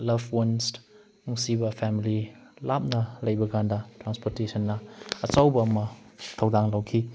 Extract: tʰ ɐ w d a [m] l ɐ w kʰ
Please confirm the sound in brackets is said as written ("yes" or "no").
no